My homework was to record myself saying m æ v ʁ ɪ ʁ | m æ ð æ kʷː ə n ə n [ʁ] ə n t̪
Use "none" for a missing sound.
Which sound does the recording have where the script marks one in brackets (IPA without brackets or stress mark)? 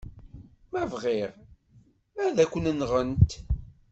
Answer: ʁ